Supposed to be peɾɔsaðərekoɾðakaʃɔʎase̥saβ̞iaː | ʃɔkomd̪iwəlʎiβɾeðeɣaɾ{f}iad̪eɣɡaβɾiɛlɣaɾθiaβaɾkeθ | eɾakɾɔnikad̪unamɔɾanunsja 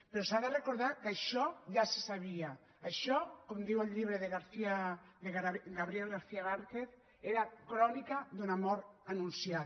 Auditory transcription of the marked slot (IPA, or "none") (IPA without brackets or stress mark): θ